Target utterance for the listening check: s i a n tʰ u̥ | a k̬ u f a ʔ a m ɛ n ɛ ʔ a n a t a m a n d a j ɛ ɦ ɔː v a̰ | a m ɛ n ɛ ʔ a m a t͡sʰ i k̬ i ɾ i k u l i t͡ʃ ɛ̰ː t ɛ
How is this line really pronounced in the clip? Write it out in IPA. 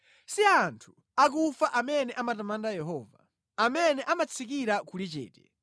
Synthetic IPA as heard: s i a n tʰ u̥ | a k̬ u f a ʔ a m ɛ n ɛ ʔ a m a t a m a n d a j ɛ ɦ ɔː v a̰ | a m ɛ n ɛ ʔ a m a t͡sʰ i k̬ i ɾ a k u l i t͡ʃ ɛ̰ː t ɛ

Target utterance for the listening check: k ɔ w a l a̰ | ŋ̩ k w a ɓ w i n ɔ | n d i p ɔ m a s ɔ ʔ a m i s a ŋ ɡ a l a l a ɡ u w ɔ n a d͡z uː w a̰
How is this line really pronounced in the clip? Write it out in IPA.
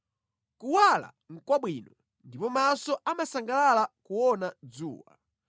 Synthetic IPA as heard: k u w a l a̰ | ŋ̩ k w a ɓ w i n ɔ | n d i p ɔ m a s ɔ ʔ a m a s a ŋ ɡ a l a l a k u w ɔ n a d͡z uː w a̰

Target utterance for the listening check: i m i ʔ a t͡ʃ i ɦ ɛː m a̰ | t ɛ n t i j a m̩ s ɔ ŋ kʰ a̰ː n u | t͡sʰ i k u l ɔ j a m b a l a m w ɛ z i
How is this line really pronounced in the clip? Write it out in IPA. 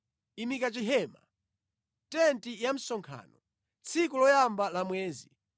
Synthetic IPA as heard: i m i k a t͡ʃ i ɦ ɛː m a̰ | t ɛ n t i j a m̩ s ɔ ŋ kʰ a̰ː n ɔ | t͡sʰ i k u l ɔ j a m b a l a m w ɛː z i

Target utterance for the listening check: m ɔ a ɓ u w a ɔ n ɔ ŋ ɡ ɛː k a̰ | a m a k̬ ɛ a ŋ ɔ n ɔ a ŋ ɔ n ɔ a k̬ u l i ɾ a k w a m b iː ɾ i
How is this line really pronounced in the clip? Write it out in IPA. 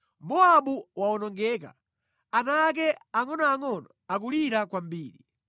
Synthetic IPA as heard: m ɔ a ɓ u w a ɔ n ɔ ŋ ɡ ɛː k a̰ | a n a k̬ ɛ a ŋ ɔ n ɔ a ŋ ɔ n ɔ a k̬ u l i ɾ a k w a m b iː ɾ i

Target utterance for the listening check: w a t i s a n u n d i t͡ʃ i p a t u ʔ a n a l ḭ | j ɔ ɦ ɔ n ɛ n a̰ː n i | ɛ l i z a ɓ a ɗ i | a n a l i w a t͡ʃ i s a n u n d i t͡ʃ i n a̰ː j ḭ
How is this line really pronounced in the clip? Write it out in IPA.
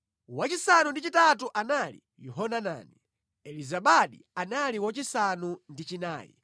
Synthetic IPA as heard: w a t͡ʃ i s a n u n d i t͡ʃ i t a t u ʔ a n a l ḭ | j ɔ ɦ ɔ n a n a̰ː n i | ɛ l i z a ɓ a ɗ i | a n a l i w a t͡ʃ i s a n u n d i t͡ʃ i n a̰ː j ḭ

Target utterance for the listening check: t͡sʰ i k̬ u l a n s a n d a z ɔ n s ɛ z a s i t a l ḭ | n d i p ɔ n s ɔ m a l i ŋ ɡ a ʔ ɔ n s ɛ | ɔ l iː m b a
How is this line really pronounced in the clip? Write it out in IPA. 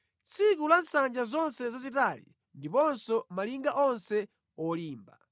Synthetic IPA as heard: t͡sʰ i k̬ u l a n s a n d͡ʒ a z ɔ n s ɛ z a z i t a l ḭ | n d i p ɔ n s ɔ m a l i ŋ ɡ a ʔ ɔ n s ɛ | ɔ l iː m b a

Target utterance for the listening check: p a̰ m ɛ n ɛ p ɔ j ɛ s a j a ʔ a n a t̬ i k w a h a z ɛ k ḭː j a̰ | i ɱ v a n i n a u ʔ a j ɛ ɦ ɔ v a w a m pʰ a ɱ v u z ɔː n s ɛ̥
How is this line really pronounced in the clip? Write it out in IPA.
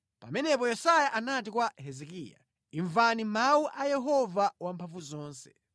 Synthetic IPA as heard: p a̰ m ɛ n ɛ p ɔ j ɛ s a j a ʔ a n a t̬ i k w a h ɛ z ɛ k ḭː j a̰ | i ɱ v a n i m a u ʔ a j ɛ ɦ ɔ v a w a m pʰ a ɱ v u z ɔː n s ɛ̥

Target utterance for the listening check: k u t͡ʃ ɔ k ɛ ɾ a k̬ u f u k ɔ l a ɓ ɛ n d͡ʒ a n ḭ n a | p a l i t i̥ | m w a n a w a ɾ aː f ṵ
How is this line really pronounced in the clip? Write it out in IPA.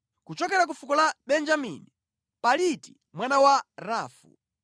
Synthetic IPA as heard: k u t͡ʃ ɔ k ɛ ɾ a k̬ u f u k ɔ l a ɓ ɛ n d͡ʒ a m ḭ n i | p a l i t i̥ | m w a n a w a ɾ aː f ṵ

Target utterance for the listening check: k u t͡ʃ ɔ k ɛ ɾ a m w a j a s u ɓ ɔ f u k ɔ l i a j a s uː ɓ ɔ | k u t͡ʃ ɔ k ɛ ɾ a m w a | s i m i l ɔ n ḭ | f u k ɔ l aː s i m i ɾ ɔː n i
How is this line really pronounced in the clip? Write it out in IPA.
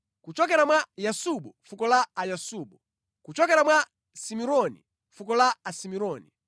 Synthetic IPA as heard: k u t͡ʃ ɔ k ɛ ɾ a m w a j a s u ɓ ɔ f u k ɔ l a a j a s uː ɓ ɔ | k u t͡ʃ ɔ k ɛ ɾ a m w a | s i m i ɾ ɔ n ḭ | f u k ɔ l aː s i m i ɾ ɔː n i

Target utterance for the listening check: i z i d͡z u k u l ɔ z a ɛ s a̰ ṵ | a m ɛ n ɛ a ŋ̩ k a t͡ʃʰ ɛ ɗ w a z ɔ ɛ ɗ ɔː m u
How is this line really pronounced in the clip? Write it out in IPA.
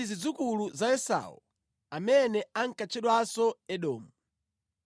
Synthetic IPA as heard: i z i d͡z u k u l u z a ɛ s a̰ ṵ | a m ɛ n ɛ a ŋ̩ k a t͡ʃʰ ɛ ɗ w a s ɔ ɛ ɗ ɔː m u

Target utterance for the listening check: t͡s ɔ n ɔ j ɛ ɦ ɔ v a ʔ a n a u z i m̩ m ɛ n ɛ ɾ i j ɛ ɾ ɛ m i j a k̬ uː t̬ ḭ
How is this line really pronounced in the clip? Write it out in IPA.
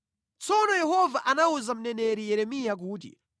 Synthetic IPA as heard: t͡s ɔ n ɔ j ɛ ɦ ɔ v a ʔ a n a u z a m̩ n ɛ n ɛ ɾ i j ɛ ɾ ɛ m i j a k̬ uː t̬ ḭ

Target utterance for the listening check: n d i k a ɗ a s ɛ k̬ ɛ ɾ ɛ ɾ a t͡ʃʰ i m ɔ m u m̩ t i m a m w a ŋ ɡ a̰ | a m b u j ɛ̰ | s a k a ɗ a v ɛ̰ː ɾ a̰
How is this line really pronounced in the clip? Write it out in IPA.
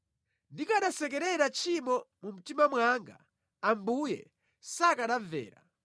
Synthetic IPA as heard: n d i k a ɗ a s ɛ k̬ ɛ ɾ ɛ ɾ a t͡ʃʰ i m ɔ m u m̩ t i m a m w a ŋ ɡ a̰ | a m b u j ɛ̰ | s a k a ɗ a v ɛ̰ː ɾ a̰

